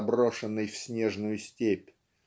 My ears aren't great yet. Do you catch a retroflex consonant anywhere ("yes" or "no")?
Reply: yes